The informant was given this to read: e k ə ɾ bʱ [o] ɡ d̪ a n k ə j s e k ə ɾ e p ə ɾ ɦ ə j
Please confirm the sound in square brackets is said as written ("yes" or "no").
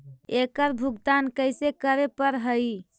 no